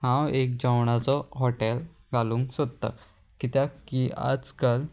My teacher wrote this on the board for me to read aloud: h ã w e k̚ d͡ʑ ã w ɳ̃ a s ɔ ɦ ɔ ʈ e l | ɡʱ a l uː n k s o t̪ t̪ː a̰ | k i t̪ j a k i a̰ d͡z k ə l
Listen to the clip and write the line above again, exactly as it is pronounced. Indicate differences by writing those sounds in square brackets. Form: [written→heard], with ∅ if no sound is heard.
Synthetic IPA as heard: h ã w e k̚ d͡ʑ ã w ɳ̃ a [s→t͡s] ɔ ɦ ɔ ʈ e l | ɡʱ a l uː [n→ŋ] k s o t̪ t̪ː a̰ | k i t̪ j a k i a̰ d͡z k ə l